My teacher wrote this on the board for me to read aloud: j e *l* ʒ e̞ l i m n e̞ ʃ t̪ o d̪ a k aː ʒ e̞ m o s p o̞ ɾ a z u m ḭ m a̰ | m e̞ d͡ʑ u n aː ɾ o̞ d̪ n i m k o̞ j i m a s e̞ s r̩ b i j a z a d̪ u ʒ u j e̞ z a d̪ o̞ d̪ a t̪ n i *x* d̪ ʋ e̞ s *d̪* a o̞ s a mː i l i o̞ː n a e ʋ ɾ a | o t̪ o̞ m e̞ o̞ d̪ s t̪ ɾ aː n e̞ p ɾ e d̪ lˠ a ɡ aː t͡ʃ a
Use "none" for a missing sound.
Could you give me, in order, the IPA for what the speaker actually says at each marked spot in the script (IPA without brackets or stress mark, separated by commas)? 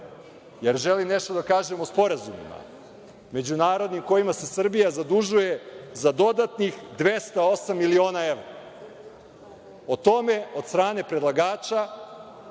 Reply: ɾ, x, t̪